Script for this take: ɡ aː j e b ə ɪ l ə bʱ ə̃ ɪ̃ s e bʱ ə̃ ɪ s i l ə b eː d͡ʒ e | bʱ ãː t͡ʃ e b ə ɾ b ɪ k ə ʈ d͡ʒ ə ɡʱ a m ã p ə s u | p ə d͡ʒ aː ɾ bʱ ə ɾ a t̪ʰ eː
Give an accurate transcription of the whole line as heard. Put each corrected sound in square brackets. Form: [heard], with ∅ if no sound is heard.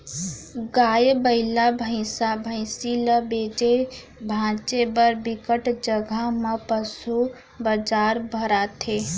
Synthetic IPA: ɡ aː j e b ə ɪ l [a] bʱ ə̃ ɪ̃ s [a] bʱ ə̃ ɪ s i l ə b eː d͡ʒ e | bʱ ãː t͡ʃ e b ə ɾ b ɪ k ə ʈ d͡ʒ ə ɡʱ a m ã p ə s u | [b] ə d͡ʒ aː ɾ bʱ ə ɾ a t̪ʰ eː